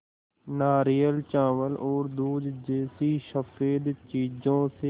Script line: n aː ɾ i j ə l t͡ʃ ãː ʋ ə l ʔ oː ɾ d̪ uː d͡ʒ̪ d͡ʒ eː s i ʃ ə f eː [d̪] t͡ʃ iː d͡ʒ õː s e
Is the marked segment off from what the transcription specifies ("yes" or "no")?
no